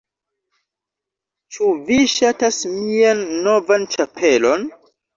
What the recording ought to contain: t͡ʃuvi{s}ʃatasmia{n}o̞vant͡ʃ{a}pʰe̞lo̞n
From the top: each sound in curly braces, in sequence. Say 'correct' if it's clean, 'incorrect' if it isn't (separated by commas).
incorrect, incorrect, correct